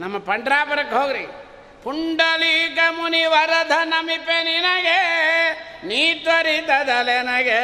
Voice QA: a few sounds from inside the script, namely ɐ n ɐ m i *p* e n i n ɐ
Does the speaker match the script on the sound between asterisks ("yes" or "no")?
yes